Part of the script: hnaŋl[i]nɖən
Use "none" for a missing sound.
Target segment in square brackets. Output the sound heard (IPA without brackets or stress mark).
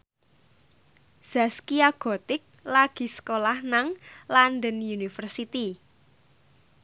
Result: a